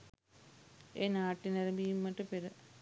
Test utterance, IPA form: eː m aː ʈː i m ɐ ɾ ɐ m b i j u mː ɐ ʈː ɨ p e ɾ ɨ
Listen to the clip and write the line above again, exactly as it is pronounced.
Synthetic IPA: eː n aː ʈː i n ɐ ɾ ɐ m b i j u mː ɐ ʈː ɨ p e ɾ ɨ

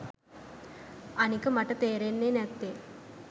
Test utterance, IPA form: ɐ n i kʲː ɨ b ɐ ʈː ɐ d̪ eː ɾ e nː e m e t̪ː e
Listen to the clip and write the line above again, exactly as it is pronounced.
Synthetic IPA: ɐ n i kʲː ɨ m ɐ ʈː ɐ t̪ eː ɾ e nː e n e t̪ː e

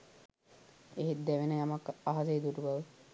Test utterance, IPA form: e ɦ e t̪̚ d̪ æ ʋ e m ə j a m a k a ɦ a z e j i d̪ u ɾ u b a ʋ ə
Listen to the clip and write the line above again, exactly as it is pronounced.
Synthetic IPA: e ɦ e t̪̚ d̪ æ ʋ e n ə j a m a k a ɦ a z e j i d̪ u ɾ u b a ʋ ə

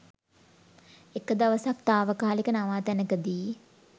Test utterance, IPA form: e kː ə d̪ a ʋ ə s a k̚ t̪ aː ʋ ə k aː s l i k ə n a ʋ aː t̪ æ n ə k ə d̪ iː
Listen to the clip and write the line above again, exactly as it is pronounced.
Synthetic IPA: e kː ə d̪ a ʋ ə s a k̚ t̪ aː ʋ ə k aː l i k ə n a ʋ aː t̪ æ n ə k ə d̪ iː

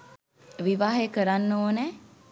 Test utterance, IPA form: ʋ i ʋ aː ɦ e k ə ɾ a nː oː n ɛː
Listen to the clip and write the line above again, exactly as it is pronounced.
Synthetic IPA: ʋ i ʋ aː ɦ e k ə ɾ a nː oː n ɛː

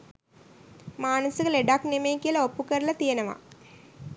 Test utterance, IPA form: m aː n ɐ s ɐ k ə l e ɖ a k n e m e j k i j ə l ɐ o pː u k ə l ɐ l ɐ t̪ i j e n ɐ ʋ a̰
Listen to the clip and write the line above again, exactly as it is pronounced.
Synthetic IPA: m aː n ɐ s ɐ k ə l e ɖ a k n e m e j k i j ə l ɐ o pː u k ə ɾ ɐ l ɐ t̪ i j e n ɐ ʋ a̰

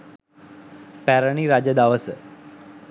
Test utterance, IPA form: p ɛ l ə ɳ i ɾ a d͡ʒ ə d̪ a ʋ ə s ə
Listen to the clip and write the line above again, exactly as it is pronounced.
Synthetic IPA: p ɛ ɾ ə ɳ i ɾ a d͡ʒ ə d̪ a ʋ ə s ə

